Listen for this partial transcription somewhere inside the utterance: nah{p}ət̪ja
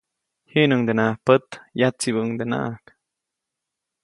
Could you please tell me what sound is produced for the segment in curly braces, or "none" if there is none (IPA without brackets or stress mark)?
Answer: p